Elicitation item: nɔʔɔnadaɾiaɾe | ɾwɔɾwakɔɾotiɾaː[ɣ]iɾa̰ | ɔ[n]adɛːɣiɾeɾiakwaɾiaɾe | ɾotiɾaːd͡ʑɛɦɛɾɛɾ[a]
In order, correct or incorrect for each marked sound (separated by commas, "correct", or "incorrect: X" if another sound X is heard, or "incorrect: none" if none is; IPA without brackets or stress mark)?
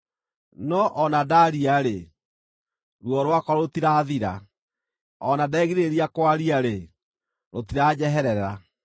incorrect: ð, correct, correct